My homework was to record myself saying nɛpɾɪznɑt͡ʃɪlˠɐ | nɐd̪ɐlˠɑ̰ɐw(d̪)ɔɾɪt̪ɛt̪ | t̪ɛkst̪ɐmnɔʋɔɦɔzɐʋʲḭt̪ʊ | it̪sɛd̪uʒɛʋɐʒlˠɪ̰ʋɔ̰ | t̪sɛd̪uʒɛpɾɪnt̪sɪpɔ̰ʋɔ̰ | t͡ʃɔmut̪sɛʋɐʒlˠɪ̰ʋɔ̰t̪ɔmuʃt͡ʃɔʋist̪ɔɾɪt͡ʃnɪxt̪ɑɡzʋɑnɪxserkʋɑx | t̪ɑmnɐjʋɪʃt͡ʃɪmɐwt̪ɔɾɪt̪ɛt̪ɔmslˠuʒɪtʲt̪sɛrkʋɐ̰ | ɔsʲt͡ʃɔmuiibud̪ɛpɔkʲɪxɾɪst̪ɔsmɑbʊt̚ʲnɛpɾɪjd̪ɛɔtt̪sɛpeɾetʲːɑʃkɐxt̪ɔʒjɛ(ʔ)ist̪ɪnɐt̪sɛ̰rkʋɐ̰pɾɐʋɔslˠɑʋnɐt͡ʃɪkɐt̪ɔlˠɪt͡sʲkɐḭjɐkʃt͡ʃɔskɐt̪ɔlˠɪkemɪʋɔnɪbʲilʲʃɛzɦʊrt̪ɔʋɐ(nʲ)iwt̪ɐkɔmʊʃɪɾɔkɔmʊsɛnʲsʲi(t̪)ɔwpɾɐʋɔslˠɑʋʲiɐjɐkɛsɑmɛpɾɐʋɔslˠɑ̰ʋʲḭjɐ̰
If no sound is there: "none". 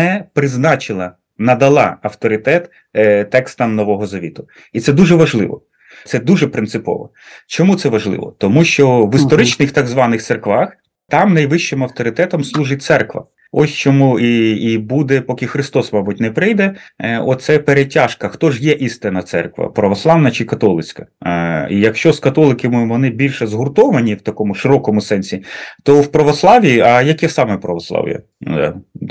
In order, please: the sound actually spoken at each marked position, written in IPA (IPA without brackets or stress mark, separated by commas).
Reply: t̪, ʔ, nʲ, t̪